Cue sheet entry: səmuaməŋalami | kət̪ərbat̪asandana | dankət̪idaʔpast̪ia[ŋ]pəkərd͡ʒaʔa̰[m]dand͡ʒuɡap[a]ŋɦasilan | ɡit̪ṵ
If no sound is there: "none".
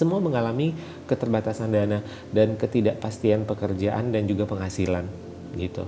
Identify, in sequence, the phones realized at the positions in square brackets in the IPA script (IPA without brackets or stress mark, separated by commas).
n, n, ə